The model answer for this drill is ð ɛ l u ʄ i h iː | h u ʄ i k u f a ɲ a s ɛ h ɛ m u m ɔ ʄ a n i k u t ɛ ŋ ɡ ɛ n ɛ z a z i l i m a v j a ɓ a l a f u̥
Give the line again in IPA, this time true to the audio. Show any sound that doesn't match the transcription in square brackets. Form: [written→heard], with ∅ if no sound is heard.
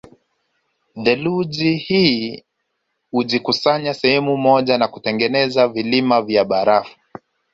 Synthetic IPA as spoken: ð ɛ l u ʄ i h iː | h u ʄ i k u [f→s] a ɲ a s ɛ h ɛ m u m ɔ ʄ a n [i→a] k u t ɛ ŋ ɡ ɛ n ɛ z a [z→v] i l i m a v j a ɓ a [l→ɾ] a f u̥